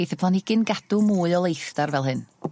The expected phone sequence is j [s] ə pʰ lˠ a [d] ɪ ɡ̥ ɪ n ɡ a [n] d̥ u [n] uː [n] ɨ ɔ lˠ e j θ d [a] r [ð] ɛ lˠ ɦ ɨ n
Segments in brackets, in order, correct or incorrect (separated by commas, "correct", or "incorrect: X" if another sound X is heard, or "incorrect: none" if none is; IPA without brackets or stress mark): incorrect: θ, incorrect: n, incorrect: none, incorrect: m, incorrect: none, correct, incorrect: v